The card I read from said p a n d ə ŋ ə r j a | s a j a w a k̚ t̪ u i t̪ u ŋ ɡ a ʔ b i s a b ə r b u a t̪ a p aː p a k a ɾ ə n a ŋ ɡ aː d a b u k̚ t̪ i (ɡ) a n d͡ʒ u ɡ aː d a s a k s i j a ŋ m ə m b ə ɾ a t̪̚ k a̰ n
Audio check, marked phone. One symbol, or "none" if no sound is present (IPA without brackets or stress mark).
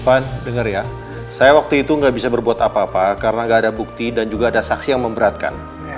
d